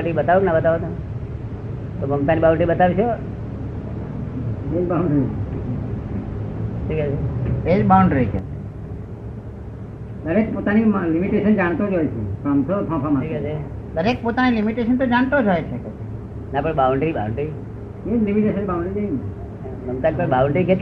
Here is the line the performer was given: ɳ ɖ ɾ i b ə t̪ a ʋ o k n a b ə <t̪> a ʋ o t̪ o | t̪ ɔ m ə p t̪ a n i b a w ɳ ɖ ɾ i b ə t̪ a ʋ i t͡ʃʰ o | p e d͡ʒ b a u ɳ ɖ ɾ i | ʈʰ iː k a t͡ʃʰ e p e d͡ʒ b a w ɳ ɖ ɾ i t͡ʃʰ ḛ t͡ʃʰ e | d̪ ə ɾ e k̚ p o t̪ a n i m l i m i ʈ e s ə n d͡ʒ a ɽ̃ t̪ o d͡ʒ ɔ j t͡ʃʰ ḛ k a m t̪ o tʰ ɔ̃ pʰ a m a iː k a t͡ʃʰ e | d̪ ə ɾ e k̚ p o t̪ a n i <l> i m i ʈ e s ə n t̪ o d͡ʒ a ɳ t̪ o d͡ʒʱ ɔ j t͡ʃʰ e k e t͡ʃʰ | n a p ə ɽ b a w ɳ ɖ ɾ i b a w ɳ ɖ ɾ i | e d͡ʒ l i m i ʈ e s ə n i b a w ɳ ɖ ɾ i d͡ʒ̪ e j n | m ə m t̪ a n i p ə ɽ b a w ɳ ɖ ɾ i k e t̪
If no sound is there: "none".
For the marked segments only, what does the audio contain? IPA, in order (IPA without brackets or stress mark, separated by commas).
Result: t̪, l